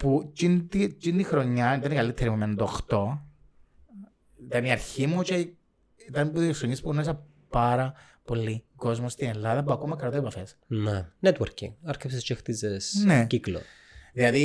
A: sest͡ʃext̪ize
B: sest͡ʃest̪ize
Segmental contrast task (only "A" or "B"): A